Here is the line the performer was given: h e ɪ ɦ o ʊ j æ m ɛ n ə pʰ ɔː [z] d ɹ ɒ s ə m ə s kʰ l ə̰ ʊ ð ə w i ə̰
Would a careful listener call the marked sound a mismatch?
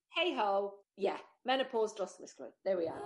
no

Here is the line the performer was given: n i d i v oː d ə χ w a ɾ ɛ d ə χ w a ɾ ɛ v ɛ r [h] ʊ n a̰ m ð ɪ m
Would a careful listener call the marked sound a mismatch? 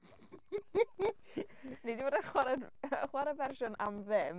yes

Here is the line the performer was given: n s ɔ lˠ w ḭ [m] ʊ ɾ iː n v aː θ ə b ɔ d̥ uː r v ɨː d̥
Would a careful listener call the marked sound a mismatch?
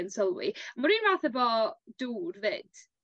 no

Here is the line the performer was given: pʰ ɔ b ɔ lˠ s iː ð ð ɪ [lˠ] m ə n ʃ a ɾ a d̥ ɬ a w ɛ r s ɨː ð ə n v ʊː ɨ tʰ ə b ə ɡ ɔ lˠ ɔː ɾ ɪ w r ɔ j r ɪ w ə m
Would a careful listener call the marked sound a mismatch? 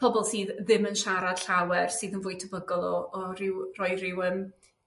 yes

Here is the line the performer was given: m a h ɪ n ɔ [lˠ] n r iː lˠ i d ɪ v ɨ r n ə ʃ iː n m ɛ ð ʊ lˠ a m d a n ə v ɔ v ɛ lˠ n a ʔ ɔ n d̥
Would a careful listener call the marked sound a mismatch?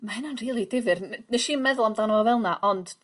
yes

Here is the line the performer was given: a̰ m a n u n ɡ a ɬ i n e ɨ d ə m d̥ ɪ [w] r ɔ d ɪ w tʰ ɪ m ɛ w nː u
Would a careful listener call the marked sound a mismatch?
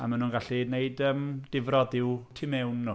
yes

